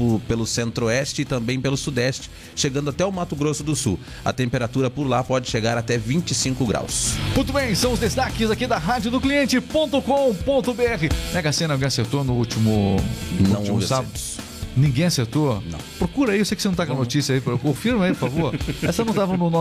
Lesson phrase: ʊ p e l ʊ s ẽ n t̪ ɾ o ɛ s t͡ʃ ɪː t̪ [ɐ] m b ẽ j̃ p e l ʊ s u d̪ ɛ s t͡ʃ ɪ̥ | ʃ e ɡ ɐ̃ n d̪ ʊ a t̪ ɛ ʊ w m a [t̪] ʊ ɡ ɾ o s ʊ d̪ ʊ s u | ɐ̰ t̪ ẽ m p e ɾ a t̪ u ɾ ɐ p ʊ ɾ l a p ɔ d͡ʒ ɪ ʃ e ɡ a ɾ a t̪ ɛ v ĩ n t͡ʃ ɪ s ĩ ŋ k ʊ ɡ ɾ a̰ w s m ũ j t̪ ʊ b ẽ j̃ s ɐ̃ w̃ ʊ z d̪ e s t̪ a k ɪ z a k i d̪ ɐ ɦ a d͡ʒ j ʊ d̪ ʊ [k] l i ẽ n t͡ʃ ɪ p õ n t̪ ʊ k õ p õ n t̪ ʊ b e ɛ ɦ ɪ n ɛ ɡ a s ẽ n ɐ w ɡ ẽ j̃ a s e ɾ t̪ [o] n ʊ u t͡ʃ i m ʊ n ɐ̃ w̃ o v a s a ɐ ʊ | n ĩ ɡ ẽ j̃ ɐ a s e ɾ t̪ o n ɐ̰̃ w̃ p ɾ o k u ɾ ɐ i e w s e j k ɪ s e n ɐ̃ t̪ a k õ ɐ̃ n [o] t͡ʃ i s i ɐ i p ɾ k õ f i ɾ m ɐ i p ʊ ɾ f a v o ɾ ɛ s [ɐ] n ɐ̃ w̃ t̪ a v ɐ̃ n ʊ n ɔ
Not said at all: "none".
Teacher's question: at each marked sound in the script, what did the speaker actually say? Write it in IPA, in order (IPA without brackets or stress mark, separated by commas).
ɐ̃, t̪, k, o, o, ɐ